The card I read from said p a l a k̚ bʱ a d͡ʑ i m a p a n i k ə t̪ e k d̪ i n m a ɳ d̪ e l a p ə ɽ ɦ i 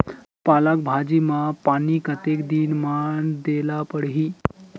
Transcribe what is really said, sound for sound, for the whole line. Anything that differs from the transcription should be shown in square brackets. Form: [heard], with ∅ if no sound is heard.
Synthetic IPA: p a l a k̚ bʱ a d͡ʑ i m a p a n i k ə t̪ e k d̪ i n m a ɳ d̪ e l a p ə ɽ ɦ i